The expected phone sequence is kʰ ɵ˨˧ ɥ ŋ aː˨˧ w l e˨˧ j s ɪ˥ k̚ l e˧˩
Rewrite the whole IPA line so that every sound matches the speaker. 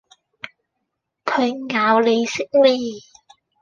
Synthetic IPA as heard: kʰ ɵ˨˧ ɥ ŋ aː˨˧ w l e˨˧ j s ɪ˥ k̚ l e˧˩